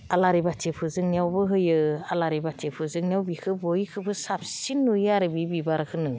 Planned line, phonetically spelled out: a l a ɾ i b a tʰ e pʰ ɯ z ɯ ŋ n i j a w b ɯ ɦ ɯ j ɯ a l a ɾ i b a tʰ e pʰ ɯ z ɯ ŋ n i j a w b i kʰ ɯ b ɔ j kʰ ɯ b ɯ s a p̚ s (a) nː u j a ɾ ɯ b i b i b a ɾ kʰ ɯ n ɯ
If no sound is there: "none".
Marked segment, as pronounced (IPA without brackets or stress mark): i